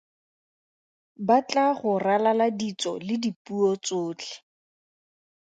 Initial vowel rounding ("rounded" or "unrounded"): unrounded